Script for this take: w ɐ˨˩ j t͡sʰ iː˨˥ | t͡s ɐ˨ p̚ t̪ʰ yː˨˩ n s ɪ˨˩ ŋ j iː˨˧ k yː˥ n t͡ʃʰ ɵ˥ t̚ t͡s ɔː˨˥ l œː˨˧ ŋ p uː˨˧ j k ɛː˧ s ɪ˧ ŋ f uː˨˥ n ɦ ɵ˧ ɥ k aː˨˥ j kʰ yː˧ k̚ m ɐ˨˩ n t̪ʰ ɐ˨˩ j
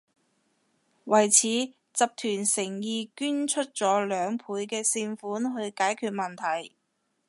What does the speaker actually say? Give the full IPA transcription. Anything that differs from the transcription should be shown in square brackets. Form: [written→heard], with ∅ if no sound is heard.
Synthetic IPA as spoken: w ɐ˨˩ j t͡sʰ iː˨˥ | t͡s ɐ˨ p̚ t̪ʰ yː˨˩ n s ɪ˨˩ ŋ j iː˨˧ k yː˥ n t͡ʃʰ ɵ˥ t̚ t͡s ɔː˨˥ l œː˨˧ ŋ [p→pʰ] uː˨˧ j k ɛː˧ s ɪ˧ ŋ f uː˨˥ n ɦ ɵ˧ ɥ k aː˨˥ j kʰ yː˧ [k̚→t̚] m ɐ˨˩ n t̪ʰ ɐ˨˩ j